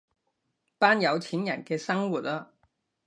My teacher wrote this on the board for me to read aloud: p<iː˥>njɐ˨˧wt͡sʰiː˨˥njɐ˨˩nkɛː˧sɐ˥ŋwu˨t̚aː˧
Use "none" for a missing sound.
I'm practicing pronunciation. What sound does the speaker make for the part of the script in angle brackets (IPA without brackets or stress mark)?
aː˥